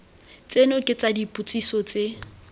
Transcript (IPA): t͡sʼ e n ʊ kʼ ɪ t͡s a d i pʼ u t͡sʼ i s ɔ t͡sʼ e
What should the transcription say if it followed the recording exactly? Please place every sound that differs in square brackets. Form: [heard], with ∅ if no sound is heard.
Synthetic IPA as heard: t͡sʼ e n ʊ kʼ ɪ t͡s a d i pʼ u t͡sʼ i s ɔ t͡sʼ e